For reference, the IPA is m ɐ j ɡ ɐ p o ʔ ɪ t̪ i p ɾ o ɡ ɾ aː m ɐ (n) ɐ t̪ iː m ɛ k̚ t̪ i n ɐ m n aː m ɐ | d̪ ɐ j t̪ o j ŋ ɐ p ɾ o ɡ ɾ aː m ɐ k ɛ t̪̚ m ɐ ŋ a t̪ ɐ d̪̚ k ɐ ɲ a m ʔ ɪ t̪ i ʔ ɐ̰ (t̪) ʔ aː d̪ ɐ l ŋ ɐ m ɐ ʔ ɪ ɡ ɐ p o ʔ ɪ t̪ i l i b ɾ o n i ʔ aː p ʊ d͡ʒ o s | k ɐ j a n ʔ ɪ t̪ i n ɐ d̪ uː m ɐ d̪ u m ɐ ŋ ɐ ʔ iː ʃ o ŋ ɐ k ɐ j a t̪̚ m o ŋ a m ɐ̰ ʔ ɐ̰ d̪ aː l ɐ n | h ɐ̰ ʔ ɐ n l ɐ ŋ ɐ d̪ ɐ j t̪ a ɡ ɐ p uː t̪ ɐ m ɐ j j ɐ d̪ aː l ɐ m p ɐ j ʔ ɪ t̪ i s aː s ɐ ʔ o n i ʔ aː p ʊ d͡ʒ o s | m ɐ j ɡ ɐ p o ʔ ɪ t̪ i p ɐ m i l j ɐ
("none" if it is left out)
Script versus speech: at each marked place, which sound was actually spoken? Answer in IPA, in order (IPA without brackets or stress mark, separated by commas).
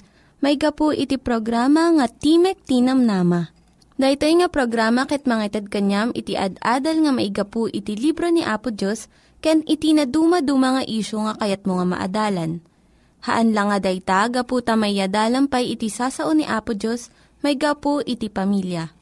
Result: ŋ, d̪